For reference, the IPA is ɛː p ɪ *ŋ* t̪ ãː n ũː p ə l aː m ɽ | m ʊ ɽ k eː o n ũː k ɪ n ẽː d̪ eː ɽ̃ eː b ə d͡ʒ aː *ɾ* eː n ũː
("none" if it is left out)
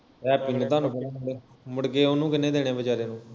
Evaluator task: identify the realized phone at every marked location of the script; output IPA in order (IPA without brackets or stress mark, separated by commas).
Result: n, ɾ